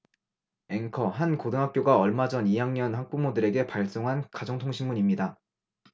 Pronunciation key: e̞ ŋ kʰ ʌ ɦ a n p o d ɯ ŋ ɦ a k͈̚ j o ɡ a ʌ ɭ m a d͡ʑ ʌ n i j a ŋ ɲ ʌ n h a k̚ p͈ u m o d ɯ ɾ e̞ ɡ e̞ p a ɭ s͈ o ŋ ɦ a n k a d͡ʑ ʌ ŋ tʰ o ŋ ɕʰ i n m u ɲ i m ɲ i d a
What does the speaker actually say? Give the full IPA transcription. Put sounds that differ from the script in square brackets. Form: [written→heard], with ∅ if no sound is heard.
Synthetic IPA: e̞ ŋ kʰ ʌ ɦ a n [p→k] o d ɯ ŋ ɦ a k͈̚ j o ɡ a ʌ ɭ m a d͡ʑ ʌ n i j a ŋ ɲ ʌ n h a k̚ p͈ u m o d ɯ ɾ e̞ ɡ e̞ p a ɭ s͈ o ŋ ɦ a n k a d͡ʑ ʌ ŋ tʰ o ŋ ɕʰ i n m u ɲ i m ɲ i d a